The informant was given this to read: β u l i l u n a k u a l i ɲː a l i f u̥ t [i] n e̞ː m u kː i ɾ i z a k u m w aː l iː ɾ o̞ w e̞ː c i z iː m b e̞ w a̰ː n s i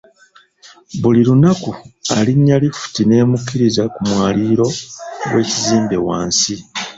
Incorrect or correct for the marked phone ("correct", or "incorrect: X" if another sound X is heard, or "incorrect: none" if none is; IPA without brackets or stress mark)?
correct